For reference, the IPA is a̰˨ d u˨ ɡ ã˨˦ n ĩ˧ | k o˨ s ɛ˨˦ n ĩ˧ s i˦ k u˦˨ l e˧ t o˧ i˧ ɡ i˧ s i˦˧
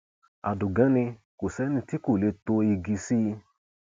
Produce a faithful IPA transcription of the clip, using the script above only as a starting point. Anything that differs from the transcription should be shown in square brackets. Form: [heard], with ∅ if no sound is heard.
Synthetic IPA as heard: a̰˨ d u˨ ɡ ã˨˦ n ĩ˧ | k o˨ s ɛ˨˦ n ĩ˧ [t] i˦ k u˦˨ l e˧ t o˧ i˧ ɡ i˧ s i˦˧